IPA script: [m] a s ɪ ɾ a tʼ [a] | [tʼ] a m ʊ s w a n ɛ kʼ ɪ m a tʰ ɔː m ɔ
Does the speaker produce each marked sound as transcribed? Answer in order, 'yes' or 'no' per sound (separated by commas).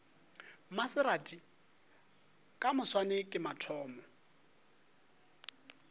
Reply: yes, no, no